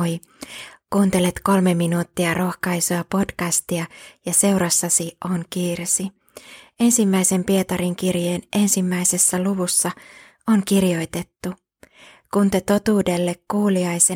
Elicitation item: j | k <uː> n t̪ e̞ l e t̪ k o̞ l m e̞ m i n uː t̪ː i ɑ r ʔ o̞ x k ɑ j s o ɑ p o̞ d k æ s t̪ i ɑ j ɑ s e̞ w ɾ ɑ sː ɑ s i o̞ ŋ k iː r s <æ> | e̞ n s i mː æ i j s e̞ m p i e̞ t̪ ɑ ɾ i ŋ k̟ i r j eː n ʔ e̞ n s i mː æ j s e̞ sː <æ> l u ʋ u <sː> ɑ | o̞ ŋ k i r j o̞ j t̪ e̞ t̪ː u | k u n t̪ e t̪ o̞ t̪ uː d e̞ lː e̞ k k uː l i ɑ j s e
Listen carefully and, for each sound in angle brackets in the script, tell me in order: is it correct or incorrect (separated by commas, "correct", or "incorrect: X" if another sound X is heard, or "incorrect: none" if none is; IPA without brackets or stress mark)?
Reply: correct, incorrect: i, correct, correct